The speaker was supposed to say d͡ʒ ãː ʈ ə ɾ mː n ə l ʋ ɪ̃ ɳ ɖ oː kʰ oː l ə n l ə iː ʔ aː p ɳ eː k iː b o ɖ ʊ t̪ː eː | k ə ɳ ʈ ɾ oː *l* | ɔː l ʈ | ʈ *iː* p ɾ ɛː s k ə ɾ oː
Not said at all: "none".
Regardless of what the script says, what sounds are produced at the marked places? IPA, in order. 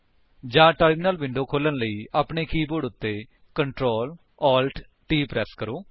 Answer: l, iː

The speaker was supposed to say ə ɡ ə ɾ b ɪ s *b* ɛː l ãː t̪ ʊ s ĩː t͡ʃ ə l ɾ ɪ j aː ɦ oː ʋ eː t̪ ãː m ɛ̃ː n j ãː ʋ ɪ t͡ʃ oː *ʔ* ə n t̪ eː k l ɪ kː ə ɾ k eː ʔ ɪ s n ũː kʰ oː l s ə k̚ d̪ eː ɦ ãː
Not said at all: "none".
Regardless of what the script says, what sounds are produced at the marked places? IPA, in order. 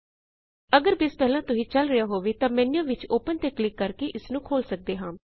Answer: p, p

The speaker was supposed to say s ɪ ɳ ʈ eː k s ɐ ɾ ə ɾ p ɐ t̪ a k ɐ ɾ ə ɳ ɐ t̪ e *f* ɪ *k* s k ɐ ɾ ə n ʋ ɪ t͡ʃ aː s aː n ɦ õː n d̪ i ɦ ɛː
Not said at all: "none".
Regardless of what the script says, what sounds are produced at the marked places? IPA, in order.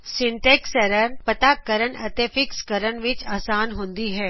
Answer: f, k

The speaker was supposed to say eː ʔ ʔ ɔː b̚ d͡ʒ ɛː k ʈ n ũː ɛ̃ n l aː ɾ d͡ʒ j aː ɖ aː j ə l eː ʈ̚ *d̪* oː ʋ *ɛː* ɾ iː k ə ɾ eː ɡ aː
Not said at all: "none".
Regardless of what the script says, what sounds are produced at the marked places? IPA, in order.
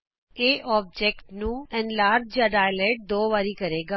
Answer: d̪, aː

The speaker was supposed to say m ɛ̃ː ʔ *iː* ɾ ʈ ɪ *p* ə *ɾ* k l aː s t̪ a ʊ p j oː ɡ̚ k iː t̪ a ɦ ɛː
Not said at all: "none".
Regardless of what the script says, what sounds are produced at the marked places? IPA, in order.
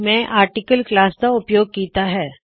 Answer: aː, k, l

